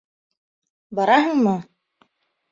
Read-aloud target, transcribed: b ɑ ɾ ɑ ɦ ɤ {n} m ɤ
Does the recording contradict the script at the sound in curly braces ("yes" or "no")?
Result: yes